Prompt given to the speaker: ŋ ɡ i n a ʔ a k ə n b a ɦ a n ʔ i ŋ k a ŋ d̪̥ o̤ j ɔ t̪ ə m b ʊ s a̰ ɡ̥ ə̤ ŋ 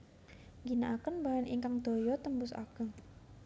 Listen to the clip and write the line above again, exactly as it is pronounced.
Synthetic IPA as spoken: ŋ ɡ i n a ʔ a k ə n b a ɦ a n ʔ i ŋ k a ŋ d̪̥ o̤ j ɔ t̪ ə m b ʊ s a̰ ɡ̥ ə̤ ŋ

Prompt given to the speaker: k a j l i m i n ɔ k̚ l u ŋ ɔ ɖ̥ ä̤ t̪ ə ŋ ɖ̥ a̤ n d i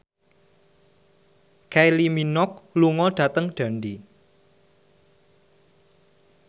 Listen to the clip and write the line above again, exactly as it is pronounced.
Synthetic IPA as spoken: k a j l i m i n ɔ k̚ l u ŋ ɔ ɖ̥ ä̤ t̪ ə ŋ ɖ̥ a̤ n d i

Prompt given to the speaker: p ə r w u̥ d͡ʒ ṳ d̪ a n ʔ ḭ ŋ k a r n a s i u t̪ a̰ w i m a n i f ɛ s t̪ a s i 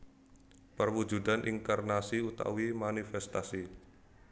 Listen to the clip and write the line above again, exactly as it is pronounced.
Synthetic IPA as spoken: p ə r w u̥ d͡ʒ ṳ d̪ a n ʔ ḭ ŋ k a r n a s i u t̪ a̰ w i m a n i f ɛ s t̪ a s i

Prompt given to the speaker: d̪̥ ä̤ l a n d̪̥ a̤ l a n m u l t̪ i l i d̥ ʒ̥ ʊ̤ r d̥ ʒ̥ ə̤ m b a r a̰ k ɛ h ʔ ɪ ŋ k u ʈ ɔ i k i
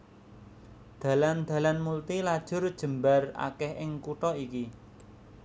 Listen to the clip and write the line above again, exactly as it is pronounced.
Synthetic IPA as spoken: d̪̥ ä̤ l a n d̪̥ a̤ l a n m u l t̪ i l a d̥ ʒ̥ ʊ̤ r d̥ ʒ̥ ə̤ m b a r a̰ k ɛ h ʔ ɪ ŋ k u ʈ ɔ i k i

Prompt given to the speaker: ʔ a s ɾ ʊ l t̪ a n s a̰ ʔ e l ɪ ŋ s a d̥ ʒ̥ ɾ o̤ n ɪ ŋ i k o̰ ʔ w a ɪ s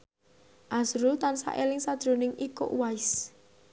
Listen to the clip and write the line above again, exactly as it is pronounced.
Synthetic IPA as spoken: ʔ a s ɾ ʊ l t̪ a n s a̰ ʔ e l ɪ ŋ s a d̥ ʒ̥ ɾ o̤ n ɪ ŋ i k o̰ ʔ w a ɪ s

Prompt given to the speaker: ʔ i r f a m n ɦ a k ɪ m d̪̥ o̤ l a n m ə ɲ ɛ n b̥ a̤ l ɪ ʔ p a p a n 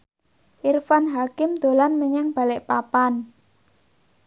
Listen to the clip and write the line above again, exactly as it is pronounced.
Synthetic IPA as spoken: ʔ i r f a n ɦ a k ɪ m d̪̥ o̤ l a n m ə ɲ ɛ ŋ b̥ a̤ l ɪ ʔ p a p a n

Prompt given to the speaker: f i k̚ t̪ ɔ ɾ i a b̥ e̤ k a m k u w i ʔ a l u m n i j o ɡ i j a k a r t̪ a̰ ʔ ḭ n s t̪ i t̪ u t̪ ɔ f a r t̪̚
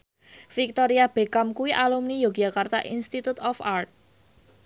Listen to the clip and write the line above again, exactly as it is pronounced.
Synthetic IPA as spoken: f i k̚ t̪ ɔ ɾ i a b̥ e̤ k a m k u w i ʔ a l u m n i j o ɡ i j a k a r t̪ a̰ ʔ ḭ n s t̪ i t̪ u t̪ ɔ f a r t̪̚

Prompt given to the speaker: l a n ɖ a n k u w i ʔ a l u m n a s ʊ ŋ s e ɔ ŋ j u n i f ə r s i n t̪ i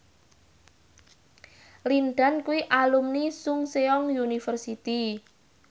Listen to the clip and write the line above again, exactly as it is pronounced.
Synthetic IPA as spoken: l i n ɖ a n k u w i ʔ a l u m n i s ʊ ŋ s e ɔ ŋ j u n i f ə r s i t̪ i

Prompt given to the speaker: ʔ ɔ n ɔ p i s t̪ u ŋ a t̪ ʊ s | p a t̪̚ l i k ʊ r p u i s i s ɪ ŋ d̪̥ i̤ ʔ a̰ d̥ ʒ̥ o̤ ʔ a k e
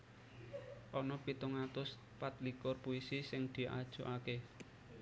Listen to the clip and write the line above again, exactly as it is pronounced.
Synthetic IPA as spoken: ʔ ɔ n ɔ p i t̪ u ŋ a t̪ ʊ s | p a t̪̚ l i k ʊ r p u i s i s ɪ ŋ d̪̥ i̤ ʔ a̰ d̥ ʒ̥ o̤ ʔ a k e

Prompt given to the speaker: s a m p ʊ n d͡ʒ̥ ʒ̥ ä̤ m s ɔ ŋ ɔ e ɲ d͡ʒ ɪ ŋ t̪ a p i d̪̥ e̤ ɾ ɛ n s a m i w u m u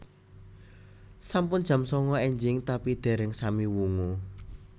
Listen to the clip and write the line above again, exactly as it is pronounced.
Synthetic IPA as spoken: s a m p ʊ n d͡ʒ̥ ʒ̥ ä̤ m s ɔ ŋ ɔ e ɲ d͡ʒ ɪ ŋ t̪ a p i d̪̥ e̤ ɾ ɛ ŋ s a m i w u ŋ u

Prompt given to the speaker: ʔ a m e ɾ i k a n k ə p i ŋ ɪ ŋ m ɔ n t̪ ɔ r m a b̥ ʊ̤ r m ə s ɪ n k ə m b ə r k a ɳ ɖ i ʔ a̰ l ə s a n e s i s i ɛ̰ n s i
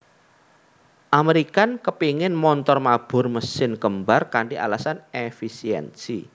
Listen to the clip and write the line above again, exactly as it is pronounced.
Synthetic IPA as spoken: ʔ a m e ɾ i k a n k ə p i ŋ ɪ n m ɔ n t̪ ɔ r m a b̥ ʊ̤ r m ə s ɪ n k ə m b a r k a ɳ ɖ i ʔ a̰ l a s a n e f i s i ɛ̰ n s i

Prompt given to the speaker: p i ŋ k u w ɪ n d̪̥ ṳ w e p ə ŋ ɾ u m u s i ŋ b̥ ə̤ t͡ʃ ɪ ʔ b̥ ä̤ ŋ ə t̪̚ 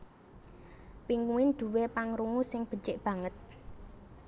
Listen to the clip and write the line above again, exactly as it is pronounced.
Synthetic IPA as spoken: p i ŋ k u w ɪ n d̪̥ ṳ w e p a ŋ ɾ u ŋ u s ɪ ŋ b̥ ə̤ t͡ʃ ɪ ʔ b̥ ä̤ ŋ ə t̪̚

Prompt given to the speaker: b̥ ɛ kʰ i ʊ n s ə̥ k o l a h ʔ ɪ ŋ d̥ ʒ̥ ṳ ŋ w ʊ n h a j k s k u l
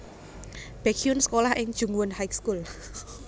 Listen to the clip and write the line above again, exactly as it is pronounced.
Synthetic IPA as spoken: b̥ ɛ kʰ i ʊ n s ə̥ k o l a h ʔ ɪ ŋ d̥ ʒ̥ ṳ ŋ w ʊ n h a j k s k u l

